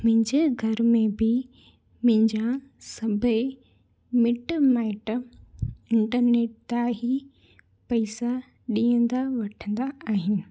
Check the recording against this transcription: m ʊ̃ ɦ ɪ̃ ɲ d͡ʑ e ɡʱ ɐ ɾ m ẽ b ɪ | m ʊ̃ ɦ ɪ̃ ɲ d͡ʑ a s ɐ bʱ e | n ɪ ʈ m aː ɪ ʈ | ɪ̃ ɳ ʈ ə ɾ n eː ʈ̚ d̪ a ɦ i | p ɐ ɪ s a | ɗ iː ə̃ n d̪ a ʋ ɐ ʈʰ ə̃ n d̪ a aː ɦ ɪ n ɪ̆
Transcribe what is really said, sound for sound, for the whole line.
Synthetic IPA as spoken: m ʊ̃ ɦ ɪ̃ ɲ d͡ʑ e ɡʱ ɐ ɾ m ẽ b ɪ | m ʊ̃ ɦ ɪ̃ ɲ d͡ʑ a s ɐ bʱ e | m ɪ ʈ m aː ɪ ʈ | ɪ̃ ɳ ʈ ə ɾ n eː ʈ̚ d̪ a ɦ i | p ɐ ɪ s a | ɗ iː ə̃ n d̪ a ʋ ɐ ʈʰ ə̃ n d̪ a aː ɦ ɪ n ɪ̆